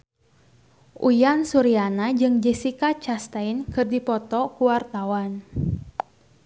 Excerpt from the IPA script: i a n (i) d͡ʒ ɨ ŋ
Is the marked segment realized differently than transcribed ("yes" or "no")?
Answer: yes